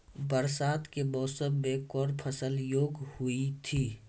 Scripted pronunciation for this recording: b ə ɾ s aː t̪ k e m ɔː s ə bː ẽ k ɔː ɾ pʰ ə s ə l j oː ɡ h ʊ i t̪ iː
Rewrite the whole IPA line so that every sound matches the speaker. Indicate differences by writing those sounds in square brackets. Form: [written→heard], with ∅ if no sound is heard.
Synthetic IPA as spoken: b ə ɾ s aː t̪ k e m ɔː s ə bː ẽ k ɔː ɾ pʰ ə s ə l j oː ɡ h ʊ i [t̪→t̪ʰ] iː